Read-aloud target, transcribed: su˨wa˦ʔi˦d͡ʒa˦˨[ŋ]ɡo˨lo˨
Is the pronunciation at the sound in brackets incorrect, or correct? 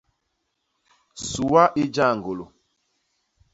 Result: correct